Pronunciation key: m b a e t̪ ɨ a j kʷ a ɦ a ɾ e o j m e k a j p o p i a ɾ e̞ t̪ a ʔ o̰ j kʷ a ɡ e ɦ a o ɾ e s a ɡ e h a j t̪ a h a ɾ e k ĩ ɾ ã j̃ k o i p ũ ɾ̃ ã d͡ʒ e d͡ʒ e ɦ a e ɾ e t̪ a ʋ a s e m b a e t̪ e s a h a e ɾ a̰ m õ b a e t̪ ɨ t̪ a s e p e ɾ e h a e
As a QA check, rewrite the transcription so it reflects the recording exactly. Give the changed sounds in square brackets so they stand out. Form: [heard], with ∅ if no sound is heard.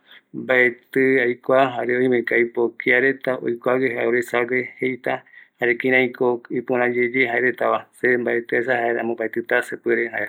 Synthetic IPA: m b a e t̪ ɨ a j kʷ a ɦ a ɾ e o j m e k a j p o [k] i a ɾ e̞ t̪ a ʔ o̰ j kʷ a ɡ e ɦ a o ɾ e s a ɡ e h [e] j t̪ a h a ɾ e k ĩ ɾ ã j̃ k o i p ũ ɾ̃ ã d͡ʒ e d͡ʒ e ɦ a e ɾ e t̪ a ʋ a s e m b a e t̪ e s a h a e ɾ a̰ m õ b a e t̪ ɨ t̪ a s e p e ɾ e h a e